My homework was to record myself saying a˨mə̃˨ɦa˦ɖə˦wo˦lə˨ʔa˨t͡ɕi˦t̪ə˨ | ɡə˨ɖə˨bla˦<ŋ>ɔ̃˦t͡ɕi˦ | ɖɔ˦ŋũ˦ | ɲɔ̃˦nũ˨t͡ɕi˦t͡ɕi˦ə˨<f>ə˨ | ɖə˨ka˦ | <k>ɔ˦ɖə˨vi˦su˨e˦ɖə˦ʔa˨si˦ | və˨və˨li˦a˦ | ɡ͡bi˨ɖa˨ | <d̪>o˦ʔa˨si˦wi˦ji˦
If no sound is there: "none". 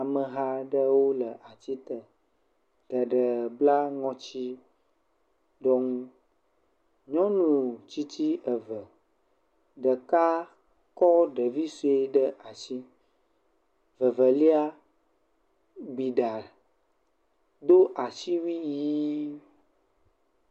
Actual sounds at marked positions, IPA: ŋ, v, k, d̪

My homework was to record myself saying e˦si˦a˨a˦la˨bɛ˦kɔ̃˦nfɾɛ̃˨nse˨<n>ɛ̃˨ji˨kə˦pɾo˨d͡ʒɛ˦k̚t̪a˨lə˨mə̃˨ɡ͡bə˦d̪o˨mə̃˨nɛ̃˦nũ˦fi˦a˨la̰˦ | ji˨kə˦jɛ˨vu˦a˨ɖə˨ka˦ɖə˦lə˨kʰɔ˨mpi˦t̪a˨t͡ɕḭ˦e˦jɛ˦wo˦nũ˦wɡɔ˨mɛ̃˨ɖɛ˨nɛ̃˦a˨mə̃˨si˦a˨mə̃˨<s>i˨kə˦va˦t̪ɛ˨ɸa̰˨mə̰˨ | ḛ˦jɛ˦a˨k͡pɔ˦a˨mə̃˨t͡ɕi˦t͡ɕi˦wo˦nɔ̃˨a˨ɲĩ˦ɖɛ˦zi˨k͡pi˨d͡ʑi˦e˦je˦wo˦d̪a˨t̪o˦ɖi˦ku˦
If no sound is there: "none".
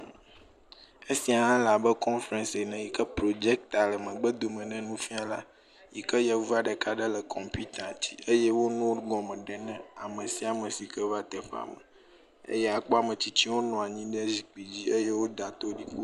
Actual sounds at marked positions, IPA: n, s

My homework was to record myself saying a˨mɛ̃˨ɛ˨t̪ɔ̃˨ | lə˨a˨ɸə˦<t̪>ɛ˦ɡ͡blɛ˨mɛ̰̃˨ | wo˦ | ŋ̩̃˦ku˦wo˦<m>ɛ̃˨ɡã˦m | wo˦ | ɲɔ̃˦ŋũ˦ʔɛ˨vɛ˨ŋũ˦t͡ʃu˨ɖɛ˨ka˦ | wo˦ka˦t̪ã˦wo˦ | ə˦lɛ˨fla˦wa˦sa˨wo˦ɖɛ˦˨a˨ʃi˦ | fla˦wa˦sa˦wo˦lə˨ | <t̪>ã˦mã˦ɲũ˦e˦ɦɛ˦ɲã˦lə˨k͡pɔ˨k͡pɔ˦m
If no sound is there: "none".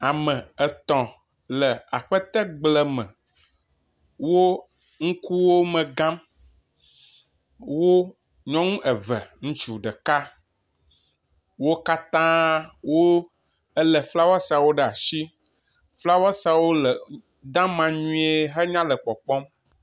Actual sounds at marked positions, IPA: t̪, m, d̪

